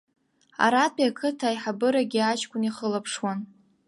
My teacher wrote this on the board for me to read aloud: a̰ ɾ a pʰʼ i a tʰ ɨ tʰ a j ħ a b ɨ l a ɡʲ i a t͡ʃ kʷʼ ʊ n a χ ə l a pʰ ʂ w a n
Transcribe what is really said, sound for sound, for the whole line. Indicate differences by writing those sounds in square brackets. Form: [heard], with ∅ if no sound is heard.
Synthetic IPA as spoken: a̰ ɾ a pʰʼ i a [kʰ] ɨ tʰ a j ħ a b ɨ [ɾ] a ɡʲ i a t͡ʃ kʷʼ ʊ n [i] χ ə l a pʰ ʂ w a n